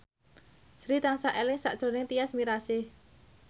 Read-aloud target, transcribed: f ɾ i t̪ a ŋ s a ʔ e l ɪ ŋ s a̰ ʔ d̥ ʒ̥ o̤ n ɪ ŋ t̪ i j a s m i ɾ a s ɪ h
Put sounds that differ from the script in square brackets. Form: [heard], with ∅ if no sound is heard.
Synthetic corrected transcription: [s] ɾ i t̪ a ŋ s a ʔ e l ɪ ŋ s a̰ ʔ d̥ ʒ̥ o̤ n ɪ ŋ t̪ i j a s m i ɾ a s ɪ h